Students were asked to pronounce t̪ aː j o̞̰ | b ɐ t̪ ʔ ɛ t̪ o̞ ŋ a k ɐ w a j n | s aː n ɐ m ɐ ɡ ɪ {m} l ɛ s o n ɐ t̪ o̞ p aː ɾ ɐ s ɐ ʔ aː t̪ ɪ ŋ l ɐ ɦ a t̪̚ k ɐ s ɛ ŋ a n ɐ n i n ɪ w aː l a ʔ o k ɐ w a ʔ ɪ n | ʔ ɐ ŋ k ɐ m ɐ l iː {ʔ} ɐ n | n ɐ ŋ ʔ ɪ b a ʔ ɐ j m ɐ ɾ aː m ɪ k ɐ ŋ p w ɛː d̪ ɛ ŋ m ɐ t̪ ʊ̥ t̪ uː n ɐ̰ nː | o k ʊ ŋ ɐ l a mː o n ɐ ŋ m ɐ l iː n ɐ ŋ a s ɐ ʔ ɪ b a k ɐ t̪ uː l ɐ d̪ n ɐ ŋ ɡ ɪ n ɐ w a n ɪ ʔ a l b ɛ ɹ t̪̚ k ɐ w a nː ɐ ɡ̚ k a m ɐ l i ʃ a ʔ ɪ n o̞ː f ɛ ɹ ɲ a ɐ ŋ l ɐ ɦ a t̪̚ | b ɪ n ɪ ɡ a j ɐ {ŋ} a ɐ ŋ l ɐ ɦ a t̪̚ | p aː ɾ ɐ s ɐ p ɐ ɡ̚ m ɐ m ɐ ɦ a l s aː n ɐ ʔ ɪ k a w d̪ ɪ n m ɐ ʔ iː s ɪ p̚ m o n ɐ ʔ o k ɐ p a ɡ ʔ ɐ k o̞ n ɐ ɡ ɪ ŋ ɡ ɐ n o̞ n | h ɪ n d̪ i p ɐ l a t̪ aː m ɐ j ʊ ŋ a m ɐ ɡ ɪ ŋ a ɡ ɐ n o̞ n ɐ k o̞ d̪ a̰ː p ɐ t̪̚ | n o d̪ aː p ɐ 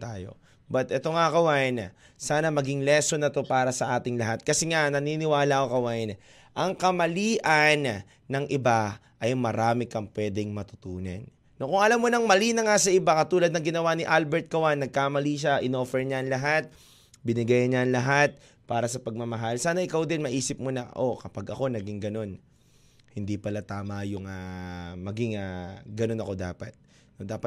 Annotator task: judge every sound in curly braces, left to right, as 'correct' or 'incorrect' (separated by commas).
incorrect, correct, incorrect